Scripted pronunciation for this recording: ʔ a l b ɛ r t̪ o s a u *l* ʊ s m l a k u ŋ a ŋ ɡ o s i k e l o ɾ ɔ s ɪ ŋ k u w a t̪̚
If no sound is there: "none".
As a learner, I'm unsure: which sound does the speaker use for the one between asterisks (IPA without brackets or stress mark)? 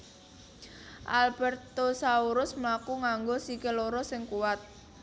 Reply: ɾ